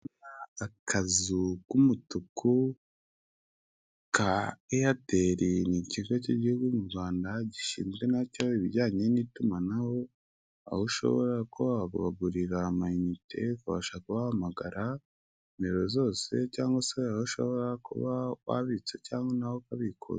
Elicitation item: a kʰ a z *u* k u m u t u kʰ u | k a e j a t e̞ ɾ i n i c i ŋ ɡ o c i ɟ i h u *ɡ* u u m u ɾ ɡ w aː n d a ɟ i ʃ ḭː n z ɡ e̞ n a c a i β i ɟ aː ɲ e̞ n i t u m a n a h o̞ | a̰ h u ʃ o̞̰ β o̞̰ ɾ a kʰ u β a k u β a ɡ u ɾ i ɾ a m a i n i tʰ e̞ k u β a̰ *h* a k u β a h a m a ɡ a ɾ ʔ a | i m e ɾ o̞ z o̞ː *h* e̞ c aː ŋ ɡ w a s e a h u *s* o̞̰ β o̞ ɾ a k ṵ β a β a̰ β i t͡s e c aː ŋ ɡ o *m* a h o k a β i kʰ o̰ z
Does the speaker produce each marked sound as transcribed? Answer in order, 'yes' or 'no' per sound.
yes, yes, no, no, no, no

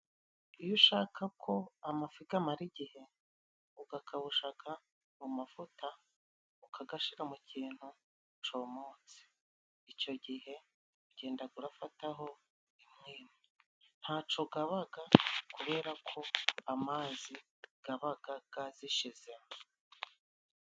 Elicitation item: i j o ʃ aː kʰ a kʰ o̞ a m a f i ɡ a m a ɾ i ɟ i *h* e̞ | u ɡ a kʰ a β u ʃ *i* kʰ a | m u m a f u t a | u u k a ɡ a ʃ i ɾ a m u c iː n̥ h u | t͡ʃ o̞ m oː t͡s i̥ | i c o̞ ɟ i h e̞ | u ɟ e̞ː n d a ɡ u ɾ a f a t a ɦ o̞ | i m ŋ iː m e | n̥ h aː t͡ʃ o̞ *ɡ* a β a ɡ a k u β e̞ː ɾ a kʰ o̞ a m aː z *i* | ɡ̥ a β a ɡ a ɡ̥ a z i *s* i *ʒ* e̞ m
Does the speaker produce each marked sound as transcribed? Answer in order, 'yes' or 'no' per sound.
yes, no, yes, yes, no, no

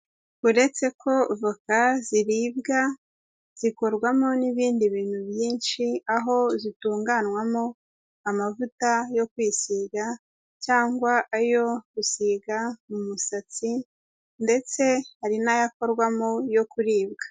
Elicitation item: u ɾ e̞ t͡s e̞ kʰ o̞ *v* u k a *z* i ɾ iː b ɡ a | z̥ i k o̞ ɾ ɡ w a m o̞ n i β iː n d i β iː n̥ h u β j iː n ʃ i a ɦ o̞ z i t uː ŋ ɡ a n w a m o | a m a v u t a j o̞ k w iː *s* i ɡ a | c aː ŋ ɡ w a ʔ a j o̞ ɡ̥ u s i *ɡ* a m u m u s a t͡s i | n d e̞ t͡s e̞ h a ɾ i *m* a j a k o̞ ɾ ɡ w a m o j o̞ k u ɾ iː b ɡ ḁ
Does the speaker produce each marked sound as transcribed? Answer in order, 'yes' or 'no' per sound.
yes, yes, yes, yes, no

